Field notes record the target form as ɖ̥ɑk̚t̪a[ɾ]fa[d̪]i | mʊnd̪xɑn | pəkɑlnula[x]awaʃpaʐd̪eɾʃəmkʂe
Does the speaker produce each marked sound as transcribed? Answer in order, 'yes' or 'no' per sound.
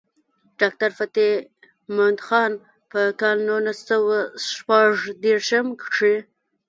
yes, no, no

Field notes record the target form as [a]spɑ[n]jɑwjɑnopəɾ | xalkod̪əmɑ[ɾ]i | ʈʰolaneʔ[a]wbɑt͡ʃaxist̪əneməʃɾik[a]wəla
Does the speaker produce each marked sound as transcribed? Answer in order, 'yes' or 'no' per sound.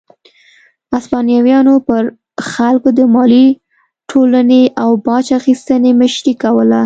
yes, yes, no, yes, yes

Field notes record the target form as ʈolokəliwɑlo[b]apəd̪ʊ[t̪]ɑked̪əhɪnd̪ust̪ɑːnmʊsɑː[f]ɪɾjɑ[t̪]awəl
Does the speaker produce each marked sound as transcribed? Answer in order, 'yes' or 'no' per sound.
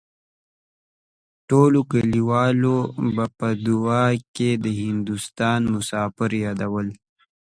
yes, no, yes, no

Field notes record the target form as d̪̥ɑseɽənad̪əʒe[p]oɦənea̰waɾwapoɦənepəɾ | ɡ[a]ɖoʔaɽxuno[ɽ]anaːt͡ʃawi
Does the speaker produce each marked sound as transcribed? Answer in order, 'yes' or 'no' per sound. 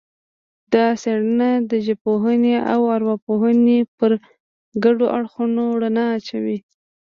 yes, yes, yes

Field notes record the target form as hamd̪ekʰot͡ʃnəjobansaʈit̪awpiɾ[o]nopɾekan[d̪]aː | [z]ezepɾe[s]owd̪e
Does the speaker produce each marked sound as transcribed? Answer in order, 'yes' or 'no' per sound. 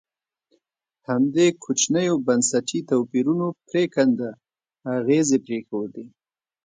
no, yes, no, no

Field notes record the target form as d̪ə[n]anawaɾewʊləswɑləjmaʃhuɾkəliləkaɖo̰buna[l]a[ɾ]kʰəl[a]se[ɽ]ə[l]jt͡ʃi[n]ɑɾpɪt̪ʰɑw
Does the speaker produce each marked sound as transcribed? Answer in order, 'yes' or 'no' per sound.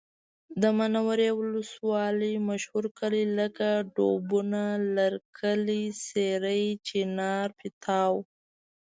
no, yes, yes, no, no, no, yes

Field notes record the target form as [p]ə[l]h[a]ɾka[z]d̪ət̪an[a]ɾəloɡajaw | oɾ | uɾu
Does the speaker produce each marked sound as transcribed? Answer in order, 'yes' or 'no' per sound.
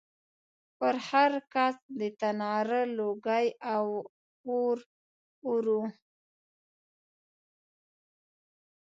yes, no, yes, no, no

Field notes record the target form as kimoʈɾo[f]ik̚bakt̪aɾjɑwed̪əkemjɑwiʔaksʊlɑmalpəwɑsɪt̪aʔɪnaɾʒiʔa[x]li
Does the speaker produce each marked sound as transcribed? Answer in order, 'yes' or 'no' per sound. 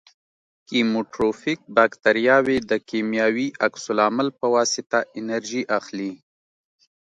yes, yes

